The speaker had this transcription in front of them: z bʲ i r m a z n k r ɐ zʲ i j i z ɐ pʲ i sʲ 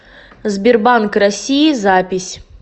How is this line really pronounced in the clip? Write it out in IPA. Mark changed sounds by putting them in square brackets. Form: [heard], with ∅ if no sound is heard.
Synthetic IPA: z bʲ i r [b] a [∅] n k r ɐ [sʲ] i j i z [a] pʲ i sʲ